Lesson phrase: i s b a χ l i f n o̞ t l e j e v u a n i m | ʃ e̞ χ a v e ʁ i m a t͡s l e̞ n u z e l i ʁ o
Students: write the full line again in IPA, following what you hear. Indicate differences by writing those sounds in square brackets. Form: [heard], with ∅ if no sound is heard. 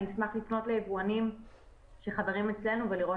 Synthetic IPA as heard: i s [m] a χ l i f n o̞ t l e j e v u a n i m | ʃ e̞ χ a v e ʁ i m [e] t͡s l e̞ n u [v] e l i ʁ o